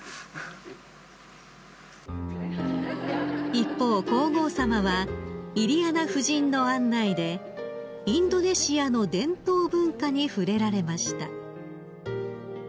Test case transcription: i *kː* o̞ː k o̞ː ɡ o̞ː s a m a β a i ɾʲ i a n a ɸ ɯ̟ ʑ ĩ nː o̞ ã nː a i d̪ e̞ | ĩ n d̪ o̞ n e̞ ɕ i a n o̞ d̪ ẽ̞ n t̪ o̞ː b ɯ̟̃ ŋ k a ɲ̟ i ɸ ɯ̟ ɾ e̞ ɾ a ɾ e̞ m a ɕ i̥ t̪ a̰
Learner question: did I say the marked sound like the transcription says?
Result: no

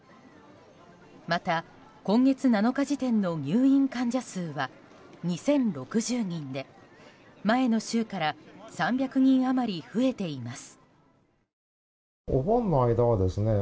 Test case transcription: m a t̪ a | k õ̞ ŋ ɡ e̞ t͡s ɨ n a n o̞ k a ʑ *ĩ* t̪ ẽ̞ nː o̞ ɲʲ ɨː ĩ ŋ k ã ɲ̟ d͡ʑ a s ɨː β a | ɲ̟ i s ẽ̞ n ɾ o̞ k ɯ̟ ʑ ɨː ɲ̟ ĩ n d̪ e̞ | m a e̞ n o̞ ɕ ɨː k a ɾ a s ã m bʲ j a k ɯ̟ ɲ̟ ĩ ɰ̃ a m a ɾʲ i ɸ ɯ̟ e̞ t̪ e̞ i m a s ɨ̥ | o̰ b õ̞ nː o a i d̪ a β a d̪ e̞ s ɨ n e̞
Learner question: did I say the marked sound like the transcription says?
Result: no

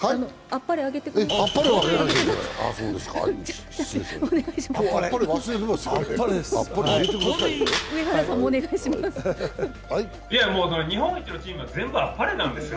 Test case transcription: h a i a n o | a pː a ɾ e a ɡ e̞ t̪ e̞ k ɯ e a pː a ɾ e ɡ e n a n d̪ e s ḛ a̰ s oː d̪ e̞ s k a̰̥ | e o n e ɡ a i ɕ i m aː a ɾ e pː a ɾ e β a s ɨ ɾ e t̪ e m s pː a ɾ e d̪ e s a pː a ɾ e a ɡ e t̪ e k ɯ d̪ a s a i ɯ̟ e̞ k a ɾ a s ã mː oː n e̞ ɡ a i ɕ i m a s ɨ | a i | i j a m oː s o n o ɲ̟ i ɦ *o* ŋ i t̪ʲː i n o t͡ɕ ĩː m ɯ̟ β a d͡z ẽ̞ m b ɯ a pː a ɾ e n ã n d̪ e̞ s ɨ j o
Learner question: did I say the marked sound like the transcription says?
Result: no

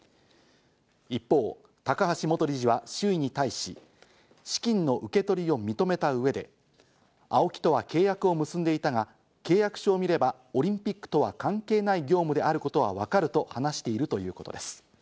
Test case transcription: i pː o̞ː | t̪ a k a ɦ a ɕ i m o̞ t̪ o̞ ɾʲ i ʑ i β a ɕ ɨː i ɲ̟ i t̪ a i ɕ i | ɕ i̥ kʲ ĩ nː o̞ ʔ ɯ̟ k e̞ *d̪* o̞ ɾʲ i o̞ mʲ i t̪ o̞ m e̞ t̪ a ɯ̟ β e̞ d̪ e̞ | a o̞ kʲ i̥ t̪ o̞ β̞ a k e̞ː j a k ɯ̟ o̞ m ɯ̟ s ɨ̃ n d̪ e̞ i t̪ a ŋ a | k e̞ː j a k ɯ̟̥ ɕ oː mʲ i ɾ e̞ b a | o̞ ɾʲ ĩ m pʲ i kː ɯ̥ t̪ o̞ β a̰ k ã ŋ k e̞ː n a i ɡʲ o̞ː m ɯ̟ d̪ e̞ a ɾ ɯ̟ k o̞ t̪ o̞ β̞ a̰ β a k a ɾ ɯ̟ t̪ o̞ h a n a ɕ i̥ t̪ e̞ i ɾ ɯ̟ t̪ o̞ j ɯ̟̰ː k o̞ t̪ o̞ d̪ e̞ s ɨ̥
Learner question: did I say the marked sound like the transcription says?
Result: no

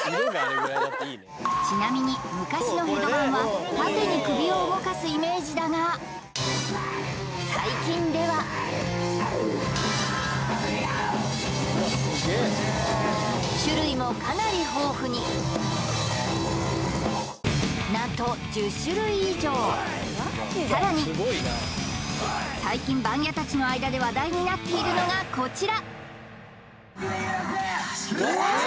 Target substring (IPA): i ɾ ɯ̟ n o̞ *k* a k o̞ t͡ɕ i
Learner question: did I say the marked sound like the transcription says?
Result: no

